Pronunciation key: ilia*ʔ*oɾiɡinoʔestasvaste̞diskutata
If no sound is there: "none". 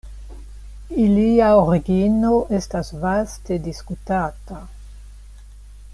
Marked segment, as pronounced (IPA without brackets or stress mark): none